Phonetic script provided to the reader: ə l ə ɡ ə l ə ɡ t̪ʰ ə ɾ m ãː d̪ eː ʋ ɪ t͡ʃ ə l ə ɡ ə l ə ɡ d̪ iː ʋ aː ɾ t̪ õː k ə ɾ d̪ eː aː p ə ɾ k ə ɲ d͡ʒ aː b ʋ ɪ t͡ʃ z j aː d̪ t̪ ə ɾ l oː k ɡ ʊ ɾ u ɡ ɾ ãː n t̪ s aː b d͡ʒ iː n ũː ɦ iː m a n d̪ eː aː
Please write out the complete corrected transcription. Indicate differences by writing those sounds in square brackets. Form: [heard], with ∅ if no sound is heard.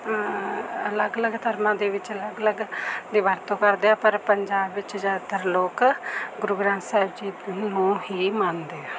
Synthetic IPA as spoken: ə l ə ɡ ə l ə ɡ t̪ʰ ə ɾ m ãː d̪ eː ʋ ɪ t͡ʃ ə l ə ɡ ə l ə ɡ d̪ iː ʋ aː ɾ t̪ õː k ə ɾ d̪ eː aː p ə ɾ [p] ə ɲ d͡ʒ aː b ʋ ɪ t͡ʃ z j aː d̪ t̪ ə ɾ l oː k ɡ ʊ ɾ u ɡ ɾ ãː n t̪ s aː b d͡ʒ iː n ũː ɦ iː m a n d̪ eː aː